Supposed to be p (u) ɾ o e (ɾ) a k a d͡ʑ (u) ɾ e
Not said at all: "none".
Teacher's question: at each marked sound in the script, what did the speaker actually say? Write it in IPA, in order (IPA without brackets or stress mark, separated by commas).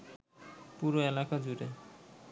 u, l, u